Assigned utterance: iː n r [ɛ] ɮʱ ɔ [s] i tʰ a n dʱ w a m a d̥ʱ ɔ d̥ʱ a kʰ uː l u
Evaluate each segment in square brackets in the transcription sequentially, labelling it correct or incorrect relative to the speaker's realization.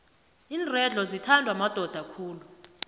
correct, incorrect: z

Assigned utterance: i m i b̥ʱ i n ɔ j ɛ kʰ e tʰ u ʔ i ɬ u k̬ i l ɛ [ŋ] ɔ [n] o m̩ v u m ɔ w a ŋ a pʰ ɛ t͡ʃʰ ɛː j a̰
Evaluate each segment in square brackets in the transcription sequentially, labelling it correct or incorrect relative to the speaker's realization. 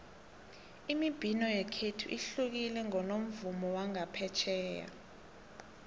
correct, correct

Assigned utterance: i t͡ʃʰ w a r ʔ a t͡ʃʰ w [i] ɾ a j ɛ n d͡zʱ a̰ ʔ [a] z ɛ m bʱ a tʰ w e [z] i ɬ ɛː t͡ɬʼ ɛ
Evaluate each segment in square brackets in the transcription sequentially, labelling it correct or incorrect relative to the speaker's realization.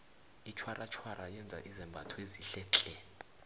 incorrect: a, incorrect: i, correct

